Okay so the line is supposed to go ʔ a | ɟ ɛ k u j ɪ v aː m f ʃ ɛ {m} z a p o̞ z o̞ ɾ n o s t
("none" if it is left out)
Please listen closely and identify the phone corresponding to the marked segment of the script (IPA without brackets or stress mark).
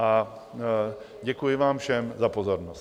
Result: m